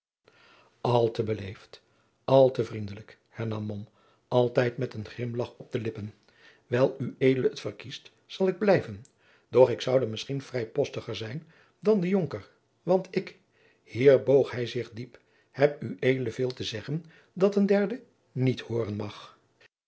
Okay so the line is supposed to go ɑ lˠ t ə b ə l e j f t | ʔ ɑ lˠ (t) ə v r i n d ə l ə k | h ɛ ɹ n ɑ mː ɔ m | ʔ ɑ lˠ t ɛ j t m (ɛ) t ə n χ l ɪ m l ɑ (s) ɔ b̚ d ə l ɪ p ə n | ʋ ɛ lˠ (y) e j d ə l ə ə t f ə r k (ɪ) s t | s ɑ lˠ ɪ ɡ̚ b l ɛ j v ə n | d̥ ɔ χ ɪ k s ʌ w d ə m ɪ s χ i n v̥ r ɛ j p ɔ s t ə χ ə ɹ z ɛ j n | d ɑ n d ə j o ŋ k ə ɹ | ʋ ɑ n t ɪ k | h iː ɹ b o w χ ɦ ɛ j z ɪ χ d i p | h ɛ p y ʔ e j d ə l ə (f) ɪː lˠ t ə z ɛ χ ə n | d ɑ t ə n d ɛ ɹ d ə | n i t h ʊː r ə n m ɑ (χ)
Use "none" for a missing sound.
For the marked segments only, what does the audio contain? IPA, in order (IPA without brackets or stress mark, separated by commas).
t, ɛ, χ, y, i, v, χ